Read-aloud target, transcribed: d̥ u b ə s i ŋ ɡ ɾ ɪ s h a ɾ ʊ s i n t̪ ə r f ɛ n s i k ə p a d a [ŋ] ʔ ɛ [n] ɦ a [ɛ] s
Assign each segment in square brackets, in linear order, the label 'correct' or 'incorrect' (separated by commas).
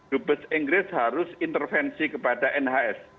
incorrect, correct, correct